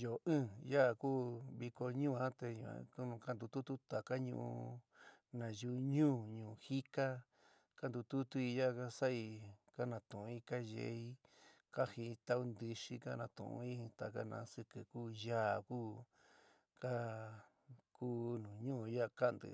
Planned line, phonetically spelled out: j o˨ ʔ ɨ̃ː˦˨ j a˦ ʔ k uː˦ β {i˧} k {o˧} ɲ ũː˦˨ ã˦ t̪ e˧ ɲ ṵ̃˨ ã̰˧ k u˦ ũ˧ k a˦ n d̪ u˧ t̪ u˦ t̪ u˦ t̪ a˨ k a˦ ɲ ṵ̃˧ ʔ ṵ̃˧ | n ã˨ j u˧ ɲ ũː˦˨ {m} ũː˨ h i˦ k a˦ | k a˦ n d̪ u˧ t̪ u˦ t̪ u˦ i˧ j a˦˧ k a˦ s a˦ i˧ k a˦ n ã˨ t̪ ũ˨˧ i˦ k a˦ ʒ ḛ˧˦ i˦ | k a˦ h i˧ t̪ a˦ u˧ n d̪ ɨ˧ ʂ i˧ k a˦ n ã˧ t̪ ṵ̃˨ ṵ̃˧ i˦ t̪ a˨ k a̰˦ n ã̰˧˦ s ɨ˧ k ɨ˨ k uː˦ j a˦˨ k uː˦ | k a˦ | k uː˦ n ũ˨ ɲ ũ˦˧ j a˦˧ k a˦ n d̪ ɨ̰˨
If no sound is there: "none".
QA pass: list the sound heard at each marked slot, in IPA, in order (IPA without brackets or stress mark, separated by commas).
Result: i˧, o˧, ɲ